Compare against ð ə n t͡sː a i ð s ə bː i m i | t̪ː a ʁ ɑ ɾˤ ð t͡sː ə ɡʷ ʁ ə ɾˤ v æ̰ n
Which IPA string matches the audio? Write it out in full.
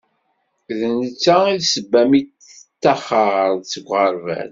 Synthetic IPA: ð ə n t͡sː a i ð s ə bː æ m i | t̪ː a χ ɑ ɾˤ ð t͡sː ə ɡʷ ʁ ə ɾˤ v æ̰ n